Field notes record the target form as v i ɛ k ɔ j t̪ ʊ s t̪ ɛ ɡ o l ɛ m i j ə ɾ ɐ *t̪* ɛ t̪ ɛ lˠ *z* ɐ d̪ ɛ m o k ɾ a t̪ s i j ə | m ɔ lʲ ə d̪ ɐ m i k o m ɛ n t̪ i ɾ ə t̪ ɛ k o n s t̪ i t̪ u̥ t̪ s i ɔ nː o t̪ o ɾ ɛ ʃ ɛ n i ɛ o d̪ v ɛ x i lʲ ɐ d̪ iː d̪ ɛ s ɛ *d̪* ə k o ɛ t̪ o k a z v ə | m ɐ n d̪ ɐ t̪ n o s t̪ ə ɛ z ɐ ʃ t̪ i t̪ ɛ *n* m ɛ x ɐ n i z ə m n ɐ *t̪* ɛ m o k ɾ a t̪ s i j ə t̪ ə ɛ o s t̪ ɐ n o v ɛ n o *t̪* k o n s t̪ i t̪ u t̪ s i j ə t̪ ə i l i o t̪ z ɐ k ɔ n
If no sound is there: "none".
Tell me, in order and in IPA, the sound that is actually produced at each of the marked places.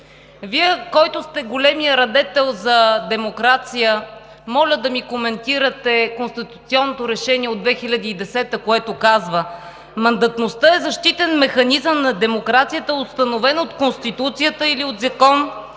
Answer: d̪, z, t̪, n, d̪, t̪

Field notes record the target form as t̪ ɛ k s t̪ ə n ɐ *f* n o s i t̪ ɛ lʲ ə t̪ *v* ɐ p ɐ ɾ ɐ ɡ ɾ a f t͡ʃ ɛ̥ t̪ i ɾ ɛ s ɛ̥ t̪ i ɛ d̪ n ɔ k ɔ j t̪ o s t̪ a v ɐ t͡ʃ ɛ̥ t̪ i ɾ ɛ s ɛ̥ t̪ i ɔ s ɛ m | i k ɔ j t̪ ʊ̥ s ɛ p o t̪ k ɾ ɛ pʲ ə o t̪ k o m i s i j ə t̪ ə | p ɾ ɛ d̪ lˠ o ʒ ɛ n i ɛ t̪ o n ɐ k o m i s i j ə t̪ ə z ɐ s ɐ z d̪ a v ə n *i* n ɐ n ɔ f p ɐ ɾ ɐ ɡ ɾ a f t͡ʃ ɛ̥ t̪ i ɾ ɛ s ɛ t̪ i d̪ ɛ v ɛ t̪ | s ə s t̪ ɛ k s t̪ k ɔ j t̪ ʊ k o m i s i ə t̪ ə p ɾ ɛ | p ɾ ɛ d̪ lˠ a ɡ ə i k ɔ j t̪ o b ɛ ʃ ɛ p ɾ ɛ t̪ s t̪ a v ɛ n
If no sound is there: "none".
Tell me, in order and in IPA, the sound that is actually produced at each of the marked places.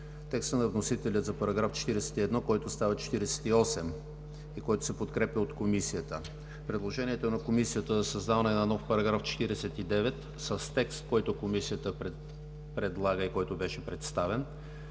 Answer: v, z, ɛ

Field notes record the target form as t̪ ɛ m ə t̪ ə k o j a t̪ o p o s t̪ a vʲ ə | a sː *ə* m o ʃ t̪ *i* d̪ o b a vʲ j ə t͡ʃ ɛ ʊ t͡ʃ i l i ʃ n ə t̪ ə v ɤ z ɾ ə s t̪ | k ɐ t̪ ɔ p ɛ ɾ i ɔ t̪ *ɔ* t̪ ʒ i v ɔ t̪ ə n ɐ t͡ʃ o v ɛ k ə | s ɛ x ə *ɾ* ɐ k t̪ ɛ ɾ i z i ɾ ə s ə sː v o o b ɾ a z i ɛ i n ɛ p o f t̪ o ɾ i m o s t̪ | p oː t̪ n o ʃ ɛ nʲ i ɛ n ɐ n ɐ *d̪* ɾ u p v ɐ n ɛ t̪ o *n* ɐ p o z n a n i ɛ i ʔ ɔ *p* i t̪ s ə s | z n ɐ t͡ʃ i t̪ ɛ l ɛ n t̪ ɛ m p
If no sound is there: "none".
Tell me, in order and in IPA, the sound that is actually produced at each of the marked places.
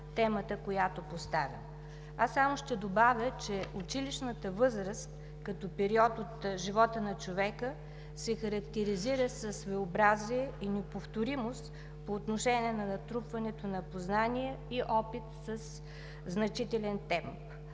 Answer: a, ɛ, o, ɾ, t̪, n, p

